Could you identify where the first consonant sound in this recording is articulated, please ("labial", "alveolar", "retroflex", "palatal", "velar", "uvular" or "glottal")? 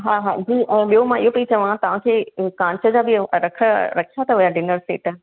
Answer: glottal